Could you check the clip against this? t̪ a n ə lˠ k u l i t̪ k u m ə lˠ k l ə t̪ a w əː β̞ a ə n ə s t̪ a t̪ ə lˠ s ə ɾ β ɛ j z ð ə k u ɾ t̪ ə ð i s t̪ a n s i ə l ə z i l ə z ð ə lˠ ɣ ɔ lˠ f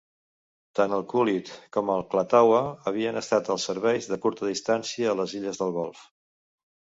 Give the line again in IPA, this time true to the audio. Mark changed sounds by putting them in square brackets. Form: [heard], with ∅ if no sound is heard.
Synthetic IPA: t̪ a n ə lˠ k u l i t̪ k [ɔ] m ə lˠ k l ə t̪ a w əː β̞ [i] ə n ə s t̪ a t̪ ə lˠ s ə ɾ β ɛ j z ð ə k u ɾ t̪ ə ð i s t̪ a n s i [əː] l ə z i [ʎ] ə z ð ə lˠ ɣ ɔ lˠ f